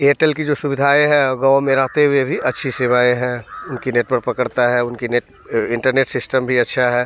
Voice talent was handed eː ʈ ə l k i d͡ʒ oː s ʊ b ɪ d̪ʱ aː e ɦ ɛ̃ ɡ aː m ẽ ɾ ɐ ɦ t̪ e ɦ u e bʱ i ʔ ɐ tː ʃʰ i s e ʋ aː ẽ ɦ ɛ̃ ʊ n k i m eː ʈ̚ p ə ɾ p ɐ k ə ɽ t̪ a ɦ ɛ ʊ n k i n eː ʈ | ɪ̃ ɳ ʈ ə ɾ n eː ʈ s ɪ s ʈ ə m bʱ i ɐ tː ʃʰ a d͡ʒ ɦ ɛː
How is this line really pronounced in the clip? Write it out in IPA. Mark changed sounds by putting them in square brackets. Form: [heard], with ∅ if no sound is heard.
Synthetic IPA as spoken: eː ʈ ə l k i d͡ʒ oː s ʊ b ɪ d̪ʱ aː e ɦ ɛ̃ ɡ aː m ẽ ɾ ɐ ɦ t̪ e ɦ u e bʱ i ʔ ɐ tː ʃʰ i s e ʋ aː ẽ ɦ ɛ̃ ʊ n k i [n] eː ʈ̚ p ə ɾ p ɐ k ə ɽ t̪ a ɦ ɛ ʊ n k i n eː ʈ | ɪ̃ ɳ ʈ ə ɾ n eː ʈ s ɪ s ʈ ə m bʱ i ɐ tː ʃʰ a [∅] ɦ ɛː